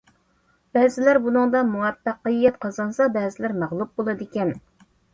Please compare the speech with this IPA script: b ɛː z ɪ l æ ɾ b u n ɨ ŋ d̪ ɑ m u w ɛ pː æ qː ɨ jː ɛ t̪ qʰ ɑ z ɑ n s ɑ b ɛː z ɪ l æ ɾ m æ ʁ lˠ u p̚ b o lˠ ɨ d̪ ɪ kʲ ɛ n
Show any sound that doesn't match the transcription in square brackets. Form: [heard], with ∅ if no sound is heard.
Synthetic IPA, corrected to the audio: b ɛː z ɪ l æ ɾ b u n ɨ ŋ d̪ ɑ m u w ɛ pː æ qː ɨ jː ɛ t̪ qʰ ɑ z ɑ n s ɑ b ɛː z ɪ l æ ɾ m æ ʁ lˠ u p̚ b o lˠ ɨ d̪ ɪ kʲ ɛ n

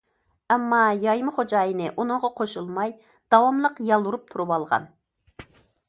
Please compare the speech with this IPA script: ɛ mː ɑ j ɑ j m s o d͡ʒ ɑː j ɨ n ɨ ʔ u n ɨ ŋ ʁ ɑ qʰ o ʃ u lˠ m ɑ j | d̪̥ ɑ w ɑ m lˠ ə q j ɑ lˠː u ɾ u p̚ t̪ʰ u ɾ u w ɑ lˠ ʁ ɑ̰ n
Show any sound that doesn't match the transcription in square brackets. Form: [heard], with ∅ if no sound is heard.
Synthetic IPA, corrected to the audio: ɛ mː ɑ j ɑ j m [χ] o d͡ʒ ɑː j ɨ n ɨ ʔ u n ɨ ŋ ʁ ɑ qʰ o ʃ u lˠ m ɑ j | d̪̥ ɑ w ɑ m lˠ ə q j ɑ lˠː u ɾ u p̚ t̪ʰ u ɾ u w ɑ lˠ ʁ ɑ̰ n

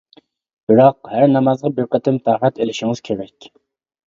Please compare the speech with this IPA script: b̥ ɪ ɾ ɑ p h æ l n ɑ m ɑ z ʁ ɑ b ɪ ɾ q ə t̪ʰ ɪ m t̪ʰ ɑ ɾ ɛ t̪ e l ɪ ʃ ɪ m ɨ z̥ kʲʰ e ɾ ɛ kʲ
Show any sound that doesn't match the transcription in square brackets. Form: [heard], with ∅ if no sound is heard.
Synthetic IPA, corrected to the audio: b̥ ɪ ɾ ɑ [q] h æ [ɾ] n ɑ m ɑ z ʁ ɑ b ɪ ɾ q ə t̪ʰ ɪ m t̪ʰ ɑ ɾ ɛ t̪ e l ɪ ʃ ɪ [ŋ] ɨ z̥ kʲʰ e ɾ ɛ kʲ

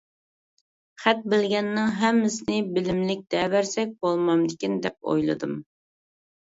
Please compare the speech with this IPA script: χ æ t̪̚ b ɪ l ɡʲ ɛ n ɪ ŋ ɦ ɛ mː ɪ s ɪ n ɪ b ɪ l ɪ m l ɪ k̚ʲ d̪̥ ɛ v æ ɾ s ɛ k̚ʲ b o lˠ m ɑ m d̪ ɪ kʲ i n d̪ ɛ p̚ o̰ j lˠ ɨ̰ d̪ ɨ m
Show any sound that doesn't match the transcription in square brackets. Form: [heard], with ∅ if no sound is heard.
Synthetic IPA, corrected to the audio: χ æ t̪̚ b ɪ l ɡʲ ɛ [nː] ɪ ŋ ɦ ɛ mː ɪ s ɪ n ɪ b ɪ l ɪ m l ɪ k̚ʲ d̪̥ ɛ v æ ɾ s ɛ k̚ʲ b o lˠ m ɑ m d̪ ɪ kʲ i n d̪ ɛ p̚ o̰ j lˠ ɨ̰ d̪ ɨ m

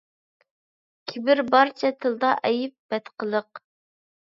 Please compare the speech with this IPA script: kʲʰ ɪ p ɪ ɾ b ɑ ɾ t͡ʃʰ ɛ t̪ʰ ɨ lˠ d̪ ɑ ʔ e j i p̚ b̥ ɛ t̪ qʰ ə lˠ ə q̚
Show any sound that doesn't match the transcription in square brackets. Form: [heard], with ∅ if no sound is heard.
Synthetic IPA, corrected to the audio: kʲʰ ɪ [b] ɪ ɾ b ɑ ɾ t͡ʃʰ ɛ t̪ʰ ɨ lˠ d̪ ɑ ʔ [ɛ] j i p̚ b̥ ɛ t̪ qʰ ə lˠ ə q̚

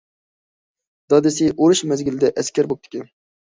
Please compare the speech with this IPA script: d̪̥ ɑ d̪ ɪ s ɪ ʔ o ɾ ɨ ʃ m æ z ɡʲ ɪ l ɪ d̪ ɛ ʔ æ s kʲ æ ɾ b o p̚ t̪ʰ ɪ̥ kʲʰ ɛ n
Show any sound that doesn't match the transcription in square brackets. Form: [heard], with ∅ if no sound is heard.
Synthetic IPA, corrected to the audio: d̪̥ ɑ d̪ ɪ s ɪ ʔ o ɾ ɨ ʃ m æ z ɡʲ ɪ l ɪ d̪ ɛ ʔ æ s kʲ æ ɾ b o p̚ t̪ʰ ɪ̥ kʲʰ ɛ n

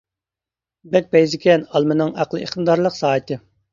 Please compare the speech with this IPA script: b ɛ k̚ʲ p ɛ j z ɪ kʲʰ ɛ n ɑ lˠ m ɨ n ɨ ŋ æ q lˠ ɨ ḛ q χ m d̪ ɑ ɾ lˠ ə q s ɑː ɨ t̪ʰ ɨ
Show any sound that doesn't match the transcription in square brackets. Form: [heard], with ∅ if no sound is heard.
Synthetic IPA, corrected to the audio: b ɛ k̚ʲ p ɛ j z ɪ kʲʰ ɛ n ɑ lˠ m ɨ n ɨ ŋ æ q lˠ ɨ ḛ [∅] χ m d̪ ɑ ɾ lˠ ə q s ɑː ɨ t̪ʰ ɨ

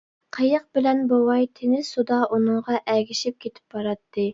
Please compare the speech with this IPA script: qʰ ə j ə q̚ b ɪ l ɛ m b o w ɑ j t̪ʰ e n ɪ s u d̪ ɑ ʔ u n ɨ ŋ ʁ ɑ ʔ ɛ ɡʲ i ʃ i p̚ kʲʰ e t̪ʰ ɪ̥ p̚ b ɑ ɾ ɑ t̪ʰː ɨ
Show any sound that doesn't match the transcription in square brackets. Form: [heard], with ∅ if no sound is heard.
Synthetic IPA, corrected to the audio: qʰ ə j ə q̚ b ɪ l ɛ [n] b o w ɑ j t̪ʰ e n ɪ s u d̪ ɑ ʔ u n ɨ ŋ ʁ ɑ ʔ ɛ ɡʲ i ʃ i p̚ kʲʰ e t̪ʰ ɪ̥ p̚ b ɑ ɾ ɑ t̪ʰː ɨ

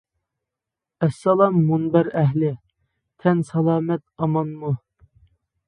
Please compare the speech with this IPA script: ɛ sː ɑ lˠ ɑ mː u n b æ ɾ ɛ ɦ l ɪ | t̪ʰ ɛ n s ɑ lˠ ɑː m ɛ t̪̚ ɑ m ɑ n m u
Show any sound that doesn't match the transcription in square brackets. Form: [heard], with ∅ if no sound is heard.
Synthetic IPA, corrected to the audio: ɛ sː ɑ lˠ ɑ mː u n b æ ɾ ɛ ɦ l ɪ | t̪ʰ ɛ n s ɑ lˠ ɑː m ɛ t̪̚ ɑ m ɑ n m u

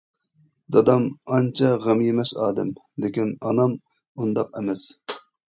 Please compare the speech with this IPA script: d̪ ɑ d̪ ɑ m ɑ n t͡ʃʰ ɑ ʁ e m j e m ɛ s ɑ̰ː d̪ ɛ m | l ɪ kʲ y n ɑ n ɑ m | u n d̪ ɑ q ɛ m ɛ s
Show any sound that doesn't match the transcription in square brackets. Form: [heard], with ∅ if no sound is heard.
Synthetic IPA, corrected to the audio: d̪ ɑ d̪ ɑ m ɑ n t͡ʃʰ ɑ ʁ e m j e m ɛ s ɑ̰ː d̪ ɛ m | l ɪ kʲ [i] n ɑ n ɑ m | u n d̪ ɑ q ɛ m ɛ s

